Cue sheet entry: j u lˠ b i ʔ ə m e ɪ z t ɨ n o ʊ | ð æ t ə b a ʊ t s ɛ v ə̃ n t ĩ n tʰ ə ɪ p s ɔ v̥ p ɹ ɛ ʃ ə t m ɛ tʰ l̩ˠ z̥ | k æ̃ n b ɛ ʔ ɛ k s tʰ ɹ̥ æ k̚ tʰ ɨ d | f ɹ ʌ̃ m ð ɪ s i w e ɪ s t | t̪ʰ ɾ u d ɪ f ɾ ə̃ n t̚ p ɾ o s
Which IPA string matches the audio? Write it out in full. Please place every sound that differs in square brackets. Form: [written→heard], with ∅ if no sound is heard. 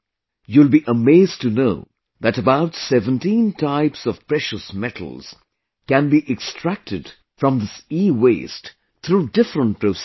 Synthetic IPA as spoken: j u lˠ b i ʔ ə m e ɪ z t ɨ n o ʊ | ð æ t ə b a ʊ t s ɛ v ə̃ n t ĩ n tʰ [ə→a] ɪ p s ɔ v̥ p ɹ ɛ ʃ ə [t→s] m ɛ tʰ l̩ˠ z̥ | k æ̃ n b [ɛ→i] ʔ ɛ k s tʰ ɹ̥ æ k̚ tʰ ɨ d | f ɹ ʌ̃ m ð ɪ s i w e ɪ s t | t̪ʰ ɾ u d ɪ f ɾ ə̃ n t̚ p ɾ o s